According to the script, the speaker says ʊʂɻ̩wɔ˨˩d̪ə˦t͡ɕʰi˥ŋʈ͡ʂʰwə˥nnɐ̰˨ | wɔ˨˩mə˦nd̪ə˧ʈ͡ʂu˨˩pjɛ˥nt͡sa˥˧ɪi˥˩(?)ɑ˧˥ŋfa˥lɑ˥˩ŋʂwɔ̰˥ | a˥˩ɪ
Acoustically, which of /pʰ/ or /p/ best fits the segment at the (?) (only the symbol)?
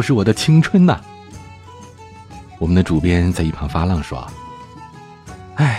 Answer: pʰ